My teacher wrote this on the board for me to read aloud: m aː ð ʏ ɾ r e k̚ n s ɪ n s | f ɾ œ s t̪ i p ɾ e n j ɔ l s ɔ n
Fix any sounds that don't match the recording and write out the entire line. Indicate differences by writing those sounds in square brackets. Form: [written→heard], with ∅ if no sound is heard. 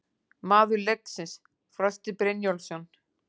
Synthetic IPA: m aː ð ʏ ɾ [r→l] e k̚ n s ɪ n s | f ɾ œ s t̪ [i→ɪ] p ɾ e n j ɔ l s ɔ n